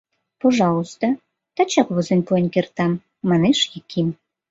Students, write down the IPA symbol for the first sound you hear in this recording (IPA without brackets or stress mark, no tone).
p